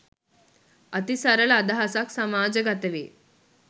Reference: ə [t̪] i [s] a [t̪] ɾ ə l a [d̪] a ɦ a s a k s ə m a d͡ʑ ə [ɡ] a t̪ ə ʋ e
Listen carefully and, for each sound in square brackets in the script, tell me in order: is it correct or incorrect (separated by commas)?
correct, correct, incorrect, correct, correct